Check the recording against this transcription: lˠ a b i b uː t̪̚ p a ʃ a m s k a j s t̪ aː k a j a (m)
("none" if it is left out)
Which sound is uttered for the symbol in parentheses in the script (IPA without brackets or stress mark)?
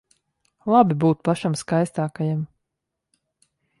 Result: m